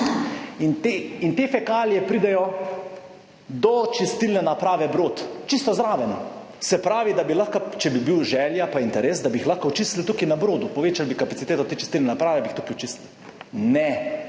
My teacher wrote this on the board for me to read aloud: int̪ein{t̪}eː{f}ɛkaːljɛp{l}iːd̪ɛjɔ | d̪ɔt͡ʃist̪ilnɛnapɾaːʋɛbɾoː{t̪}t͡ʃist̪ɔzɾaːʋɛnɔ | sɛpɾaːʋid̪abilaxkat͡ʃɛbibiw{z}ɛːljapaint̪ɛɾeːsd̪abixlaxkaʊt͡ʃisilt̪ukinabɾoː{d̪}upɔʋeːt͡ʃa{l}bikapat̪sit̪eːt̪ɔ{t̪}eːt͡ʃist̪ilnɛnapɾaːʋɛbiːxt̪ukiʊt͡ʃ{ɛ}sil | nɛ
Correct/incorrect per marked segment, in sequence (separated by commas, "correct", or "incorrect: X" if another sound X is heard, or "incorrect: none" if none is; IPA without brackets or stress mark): correct, correct, incorrect: ɾ, correct, incorrect: ʒ, correct, correct, correct, incorrect: i